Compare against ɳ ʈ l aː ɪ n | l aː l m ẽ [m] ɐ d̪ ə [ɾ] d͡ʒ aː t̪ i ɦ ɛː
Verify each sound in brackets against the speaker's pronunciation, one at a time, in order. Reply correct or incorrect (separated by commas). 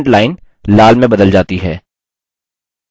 incorrect, incorrect